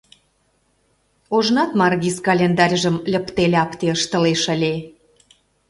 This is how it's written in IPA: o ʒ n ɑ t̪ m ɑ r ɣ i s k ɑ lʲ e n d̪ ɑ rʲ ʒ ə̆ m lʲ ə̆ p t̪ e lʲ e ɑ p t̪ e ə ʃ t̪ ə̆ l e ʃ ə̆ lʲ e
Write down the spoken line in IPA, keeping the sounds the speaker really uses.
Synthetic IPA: o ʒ n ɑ t̪ m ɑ r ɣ i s k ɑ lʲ e n d̪ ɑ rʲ ʒ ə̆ m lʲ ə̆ p t̪ e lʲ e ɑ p t̪ e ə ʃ t̪ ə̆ l e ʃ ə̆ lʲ e